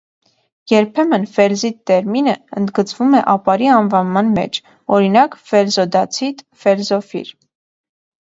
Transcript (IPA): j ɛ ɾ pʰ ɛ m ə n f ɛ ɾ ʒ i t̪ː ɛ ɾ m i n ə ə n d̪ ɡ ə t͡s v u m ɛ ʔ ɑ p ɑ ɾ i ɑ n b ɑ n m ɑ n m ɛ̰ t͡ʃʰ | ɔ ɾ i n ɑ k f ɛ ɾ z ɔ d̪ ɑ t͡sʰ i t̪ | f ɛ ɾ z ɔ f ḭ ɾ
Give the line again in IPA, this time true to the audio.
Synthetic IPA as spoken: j ɛ ɾ pʰ ɛ m ə n f ɛ ɾ z i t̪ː ɛ ɾ m i n ə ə n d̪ ɡ ə t͡s v u m ɛ ʔ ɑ p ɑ ɾ i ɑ n v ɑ n m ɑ n m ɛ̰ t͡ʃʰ | ɔ ɾ i n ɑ k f ɛ ɾ z ɔ d̪ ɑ t͡sʰ i t̪ | f ɛ ɾ z ɔ f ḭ ɾ